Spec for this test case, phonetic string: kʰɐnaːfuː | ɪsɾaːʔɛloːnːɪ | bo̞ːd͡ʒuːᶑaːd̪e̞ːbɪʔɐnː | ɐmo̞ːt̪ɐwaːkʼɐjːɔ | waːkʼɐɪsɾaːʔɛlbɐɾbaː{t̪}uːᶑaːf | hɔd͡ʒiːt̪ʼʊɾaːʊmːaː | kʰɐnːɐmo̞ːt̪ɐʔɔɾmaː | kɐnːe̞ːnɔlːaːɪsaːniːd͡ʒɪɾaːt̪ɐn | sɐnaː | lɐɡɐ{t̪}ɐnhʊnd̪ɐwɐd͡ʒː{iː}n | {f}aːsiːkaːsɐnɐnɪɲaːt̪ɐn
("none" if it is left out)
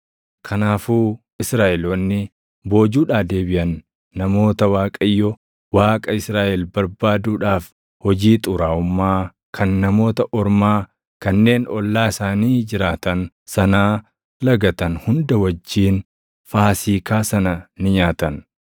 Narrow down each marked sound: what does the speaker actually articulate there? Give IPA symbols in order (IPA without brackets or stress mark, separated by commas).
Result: d̪, t̪, iː, f